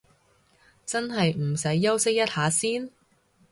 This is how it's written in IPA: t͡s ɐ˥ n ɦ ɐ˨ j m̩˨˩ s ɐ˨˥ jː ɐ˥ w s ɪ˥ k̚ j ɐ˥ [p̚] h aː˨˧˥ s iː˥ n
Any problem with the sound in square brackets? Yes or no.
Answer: yes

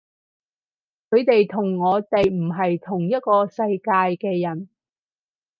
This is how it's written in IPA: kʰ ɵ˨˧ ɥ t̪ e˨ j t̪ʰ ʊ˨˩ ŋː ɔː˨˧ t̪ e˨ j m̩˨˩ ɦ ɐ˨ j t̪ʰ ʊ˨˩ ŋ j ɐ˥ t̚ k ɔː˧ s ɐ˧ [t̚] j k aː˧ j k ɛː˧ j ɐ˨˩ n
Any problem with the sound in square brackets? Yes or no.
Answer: yes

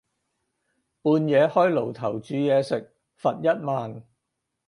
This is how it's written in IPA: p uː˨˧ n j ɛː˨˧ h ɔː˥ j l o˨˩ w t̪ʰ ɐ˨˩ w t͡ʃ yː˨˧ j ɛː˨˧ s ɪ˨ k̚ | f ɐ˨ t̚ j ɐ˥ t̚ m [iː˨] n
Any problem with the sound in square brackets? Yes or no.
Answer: yes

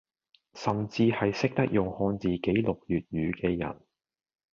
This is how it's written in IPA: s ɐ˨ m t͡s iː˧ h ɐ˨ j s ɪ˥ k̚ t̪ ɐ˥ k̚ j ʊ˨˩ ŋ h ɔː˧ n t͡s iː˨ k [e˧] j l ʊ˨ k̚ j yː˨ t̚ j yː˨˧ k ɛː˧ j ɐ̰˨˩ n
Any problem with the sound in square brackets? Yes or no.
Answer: yes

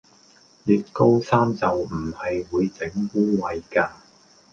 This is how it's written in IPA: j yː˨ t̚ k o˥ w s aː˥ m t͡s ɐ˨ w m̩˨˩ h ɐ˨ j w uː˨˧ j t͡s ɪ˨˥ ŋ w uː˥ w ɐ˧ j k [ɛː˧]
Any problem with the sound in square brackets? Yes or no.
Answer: yes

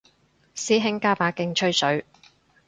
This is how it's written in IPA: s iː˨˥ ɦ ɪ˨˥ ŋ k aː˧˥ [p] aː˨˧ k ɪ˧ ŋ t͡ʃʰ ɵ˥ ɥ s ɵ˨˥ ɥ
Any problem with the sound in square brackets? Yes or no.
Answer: no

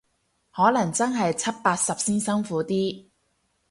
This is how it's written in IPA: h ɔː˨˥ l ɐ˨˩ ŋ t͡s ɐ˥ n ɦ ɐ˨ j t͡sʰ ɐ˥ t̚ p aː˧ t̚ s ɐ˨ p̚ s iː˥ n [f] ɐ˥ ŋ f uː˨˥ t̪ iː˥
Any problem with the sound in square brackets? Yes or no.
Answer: yes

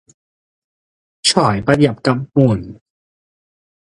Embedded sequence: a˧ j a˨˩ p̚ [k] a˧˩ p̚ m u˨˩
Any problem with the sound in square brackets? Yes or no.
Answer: no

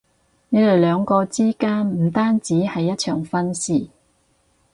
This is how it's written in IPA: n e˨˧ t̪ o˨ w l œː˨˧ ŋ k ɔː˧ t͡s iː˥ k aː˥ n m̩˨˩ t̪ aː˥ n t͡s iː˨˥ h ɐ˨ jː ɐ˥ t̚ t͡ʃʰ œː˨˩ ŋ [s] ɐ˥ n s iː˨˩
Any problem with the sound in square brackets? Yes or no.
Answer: yes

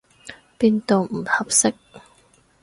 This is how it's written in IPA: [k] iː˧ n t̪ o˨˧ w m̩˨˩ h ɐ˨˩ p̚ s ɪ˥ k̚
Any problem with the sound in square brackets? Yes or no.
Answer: yes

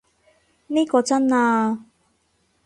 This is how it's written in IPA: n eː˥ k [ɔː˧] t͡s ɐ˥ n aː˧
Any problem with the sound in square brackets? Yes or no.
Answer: no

